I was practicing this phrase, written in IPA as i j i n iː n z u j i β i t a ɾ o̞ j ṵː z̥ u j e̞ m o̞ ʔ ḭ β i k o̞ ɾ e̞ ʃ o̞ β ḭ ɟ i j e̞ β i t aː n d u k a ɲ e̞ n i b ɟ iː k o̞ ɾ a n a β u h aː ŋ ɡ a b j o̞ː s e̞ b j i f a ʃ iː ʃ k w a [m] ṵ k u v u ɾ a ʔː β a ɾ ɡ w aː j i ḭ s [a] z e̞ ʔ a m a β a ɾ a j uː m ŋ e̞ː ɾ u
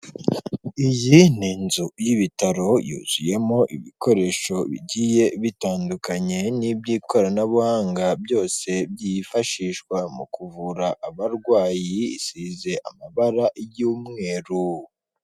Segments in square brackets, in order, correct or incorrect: correct, incorrect: i

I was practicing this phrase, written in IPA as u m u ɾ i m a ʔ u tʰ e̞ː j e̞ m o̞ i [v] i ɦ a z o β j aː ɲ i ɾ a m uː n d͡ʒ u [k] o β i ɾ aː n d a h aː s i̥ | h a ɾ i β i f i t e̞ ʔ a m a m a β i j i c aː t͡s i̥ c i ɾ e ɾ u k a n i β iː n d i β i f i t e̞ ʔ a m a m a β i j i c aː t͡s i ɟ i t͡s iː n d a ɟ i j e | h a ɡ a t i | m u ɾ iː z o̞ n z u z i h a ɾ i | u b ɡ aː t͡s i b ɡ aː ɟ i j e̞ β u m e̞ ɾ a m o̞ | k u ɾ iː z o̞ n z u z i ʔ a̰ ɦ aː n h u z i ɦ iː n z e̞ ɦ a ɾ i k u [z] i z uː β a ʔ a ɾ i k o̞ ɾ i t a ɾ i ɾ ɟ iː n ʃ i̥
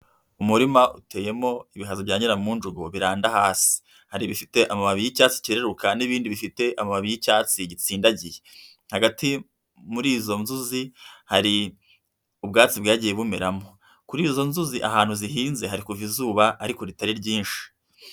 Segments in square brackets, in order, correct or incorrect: incorrect: β, incorrect: ɡ, incorrect: v

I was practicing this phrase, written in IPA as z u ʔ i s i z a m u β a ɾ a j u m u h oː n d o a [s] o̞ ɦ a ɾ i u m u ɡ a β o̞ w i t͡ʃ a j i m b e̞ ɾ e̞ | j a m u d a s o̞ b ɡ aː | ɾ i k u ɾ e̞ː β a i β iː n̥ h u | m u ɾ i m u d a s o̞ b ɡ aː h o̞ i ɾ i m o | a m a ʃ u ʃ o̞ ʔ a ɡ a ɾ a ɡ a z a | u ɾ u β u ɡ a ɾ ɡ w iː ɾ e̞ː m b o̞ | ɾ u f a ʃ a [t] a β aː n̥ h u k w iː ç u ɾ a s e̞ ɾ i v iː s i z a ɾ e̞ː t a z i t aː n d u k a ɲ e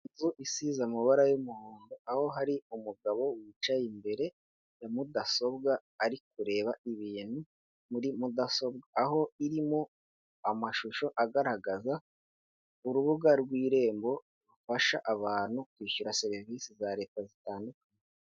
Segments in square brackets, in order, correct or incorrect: incorrect: h, incorrect: ʔ

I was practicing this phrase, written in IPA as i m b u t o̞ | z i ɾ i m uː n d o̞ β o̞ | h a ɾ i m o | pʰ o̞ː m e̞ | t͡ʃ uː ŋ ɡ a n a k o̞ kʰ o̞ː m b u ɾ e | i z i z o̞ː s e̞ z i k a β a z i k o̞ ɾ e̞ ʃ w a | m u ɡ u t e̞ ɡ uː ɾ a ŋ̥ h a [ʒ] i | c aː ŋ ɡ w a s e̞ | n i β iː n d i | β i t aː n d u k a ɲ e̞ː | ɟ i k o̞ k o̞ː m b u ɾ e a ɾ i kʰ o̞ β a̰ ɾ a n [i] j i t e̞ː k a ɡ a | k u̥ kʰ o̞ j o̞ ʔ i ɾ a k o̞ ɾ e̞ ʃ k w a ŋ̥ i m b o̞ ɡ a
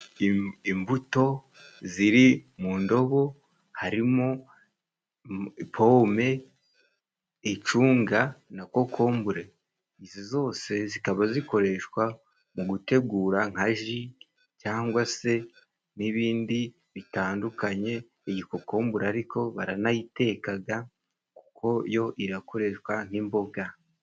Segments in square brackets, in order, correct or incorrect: correct, incorrect: a

